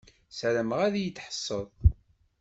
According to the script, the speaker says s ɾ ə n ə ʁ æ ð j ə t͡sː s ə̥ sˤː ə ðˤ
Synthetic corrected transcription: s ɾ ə m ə ʁ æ ð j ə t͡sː ħ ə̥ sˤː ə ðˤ